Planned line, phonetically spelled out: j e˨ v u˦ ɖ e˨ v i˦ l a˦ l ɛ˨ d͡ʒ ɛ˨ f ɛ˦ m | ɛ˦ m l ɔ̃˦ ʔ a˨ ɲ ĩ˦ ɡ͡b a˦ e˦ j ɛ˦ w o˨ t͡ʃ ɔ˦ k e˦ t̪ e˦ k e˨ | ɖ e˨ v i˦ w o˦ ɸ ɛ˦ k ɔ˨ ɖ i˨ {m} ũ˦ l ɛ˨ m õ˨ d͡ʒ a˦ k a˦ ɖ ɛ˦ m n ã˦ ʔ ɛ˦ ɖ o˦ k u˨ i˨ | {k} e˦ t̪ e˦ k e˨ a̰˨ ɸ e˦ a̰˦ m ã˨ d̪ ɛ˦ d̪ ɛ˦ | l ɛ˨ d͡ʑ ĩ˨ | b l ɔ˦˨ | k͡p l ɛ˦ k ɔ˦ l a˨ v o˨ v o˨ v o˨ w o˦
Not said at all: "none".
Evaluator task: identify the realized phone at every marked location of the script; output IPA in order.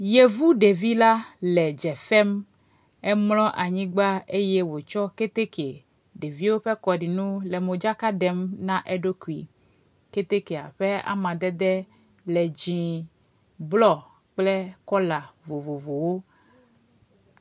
n, k

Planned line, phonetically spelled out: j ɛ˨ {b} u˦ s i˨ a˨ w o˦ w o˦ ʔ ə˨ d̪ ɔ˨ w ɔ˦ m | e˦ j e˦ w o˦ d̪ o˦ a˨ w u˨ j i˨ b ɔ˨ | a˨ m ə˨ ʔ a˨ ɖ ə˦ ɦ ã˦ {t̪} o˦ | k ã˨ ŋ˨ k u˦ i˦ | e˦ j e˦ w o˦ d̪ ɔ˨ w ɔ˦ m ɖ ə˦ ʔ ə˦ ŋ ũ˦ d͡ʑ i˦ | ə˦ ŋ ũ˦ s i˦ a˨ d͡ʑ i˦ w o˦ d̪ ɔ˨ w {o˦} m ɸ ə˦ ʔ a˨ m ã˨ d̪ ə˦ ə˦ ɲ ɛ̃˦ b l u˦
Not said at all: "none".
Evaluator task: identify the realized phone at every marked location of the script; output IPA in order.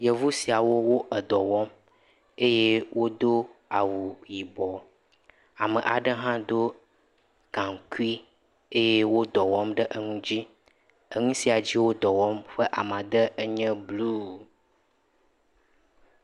v, d̪, ɔ˦

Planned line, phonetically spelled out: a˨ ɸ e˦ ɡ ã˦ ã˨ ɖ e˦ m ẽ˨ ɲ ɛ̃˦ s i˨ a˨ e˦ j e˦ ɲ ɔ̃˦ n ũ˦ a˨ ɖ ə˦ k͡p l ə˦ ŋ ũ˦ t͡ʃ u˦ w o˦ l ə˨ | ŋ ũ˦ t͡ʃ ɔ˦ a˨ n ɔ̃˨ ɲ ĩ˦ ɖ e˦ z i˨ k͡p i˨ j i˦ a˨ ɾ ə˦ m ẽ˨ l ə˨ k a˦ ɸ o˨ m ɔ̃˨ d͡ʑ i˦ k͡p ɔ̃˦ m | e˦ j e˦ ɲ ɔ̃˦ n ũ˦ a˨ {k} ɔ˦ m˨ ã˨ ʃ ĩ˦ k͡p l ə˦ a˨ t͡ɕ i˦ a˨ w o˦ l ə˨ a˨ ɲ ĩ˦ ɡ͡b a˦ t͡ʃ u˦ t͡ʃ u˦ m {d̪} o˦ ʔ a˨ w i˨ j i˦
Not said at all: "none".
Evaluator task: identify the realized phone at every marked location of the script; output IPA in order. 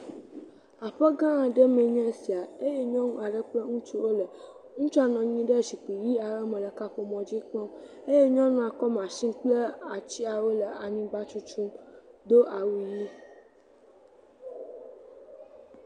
k, d̪

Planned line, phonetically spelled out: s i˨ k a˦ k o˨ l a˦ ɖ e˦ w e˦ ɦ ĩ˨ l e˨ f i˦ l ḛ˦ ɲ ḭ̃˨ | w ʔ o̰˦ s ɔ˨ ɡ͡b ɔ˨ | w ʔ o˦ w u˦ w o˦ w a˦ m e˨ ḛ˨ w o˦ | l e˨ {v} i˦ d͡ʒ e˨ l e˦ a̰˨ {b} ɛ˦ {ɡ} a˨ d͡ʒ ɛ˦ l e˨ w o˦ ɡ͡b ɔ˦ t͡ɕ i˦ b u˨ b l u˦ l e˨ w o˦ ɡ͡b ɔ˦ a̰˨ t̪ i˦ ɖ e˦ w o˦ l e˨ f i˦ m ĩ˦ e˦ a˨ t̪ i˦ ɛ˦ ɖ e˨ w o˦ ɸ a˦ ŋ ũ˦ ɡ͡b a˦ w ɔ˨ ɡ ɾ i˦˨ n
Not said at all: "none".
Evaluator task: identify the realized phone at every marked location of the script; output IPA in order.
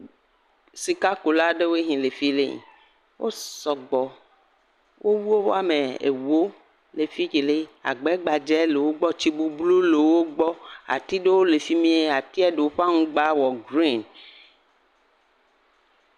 f, ɡ͡b, ɡ͡b

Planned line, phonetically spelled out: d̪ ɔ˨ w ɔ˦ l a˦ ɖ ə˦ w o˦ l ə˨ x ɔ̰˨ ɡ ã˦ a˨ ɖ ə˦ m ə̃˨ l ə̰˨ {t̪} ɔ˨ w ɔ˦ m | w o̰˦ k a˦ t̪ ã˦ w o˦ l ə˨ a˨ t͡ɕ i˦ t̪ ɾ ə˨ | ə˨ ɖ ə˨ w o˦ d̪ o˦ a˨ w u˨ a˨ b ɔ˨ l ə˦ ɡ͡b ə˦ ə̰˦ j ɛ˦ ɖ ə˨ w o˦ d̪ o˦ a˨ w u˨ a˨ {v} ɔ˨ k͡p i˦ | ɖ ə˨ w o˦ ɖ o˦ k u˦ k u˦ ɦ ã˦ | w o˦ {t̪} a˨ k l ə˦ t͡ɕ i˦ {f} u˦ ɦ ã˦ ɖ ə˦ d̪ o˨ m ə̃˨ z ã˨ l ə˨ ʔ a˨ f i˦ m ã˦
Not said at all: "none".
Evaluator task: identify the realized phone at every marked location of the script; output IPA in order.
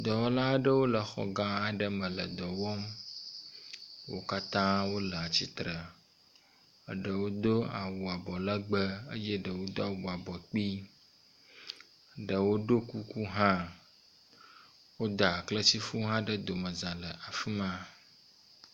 d̪, b, d̪, f

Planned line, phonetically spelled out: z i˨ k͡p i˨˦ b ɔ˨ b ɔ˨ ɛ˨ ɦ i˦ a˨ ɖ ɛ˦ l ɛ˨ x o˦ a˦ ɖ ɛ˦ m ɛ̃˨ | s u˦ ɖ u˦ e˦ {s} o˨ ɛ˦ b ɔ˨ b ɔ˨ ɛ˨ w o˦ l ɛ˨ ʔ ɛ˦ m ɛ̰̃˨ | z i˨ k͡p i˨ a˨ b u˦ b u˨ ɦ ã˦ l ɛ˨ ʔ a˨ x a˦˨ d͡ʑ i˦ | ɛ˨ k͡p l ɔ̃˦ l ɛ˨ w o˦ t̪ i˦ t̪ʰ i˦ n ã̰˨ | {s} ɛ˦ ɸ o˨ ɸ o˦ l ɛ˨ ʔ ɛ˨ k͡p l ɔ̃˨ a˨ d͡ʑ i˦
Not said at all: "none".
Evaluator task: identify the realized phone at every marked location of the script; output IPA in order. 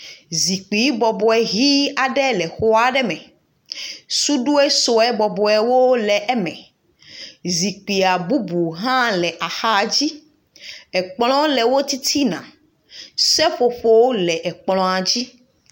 s, s

